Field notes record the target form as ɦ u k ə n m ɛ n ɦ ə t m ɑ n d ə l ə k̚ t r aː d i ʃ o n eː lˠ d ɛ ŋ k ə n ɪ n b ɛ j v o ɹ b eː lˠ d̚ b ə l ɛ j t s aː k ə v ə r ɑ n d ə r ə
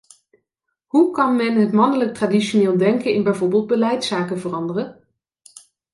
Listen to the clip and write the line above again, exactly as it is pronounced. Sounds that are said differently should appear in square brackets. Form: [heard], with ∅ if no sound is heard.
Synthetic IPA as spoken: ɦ u k [ɑ] n m ɛ n ɦ ə t m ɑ n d ə l ə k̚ t r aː d i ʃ o n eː lˠ d ɛ ŋ k ə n ɪ n b ɛ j v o ɹ b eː lˠ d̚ b ə l ɛ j t s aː k ə v ə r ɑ n d ə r ə